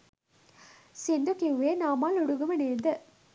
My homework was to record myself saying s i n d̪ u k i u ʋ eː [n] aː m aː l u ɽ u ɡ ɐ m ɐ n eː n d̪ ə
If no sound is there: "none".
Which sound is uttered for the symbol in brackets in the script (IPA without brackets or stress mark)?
n